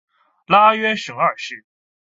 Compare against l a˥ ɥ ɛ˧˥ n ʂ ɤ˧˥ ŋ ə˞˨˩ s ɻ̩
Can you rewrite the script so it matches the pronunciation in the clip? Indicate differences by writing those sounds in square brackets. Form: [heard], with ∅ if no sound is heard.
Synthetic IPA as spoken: l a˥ ɥ [ɛ˥] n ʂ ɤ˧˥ ŋ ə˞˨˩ [ʂ] ɻ̩